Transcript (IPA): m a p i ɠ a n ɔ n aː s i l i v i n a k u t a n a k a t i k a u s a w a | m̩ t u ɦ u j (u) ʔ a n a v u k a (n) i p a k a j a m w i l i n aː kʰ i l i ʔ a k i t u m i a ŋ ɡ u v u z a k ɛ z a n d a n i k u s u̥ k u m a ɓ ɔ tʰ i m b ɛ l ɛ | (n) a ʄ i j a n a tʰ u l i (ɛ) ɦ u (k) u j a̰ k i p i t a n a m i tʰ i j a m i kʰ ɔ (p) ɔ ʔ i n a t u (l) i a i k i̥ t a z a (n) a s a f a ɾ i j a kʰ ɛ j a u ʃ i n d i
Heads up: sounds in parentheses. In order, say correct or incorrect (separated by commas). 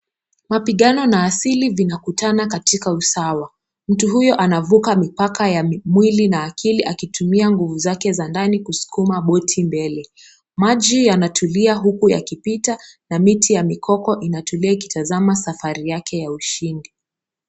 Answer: incorrect, incorrect, incorrect, incorrect, correct, incorrect, correct, incorrect